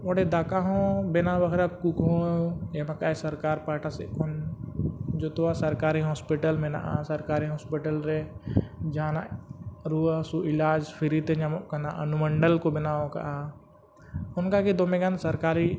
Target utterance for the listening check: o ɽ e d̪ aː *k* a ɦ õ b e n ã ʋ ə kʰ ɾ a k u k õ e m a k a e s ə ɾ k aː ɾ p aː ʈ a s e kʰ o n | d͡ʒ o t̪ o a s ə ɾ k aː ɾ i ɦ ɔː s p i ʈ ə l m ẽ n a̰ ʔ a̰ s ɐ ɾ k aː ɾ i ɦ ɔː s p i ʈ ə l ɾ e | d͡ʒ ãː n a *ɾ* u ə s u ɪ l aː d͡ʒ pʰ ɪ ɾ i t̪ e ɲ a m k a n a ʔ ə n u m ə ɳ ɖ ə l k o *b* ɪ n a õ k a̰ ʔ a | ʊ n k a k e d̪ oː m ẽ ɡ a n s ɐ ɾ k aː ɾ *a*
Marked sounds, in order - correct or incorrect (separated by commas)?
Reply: correct, correct, correct, incorrect